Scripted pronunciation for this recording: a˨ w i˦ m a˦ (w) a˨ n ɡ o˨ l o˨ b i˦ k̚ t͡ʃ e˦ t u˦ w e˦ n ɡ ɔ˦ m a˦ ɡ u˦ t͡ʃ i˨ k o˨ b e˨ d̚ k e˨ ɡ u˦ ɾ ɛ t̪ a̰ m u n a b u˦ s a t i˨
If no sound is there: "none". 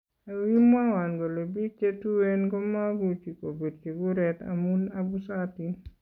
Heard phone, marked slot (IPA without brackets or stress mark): w